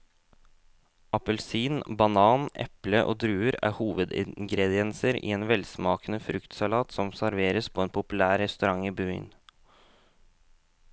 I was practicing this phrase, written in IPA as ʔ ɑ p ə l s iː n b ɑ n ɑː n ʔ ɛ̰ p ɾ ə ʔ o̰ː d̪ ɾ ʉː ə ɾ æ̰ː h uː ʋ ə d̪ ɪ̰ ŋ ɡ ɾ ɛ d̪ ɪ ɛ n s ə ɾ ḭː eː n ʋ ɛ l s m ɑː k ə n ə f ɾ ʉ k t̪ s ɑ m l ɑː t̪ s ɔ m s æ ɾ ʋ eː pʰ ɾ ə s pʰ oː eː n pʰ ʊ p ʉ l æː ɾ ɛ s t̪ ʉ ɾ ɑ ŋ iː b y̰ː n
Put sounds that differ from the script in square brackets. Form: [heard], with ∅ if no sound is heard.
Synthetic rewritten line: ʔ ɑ p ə l s iː n b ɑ n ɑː n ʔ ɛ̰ p [l] ə ʔ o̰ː d̪ ɾ ʉː ə ɾ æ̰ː h uː ʋ ə d̪ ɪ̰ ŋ ɡ ɾ ɛ d̪ ɪ ɛ n s ə ɾ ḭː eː n ʋ ɛ l s m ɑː k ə n ə f ɾ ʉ k t̪ s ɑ [∅] l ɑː t̪ s ɔ m s æ ɾ ʋ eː [∅] ɾ ə s pʰ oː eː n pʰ ʊ p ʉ l æː ɾ ɛ s t̪ ʉ ɾ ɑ ŋ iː b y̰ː n